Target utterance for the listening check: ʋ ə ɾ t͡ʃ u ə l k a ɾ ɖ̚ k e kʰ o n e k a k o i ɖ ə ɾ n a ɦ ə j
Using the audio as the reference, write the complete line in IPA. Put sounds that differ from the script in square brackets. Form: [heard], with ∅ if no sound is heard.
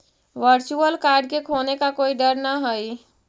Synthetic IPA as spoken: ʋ ə ɾ t͡ʃ u ə l k a ɾ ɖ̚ k e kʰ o n e k a k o i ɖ ə ɾ n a ɦ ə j